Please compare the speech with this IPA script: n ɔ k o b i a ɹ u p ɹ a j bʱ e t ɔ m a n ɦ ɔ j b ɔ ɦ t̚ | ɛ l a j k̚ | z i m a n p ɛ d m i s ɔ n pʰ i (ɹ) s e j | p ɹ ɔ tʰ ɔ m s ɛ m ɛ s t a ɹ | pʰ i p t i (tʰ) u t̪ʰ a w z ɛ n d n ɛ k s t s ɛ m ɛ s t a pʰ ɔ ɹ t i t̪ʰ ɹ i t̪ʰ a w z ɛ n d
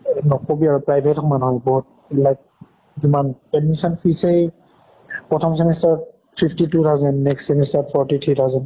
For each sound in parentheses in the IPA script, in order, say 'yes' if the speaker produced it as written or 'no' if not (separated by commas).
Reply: no, no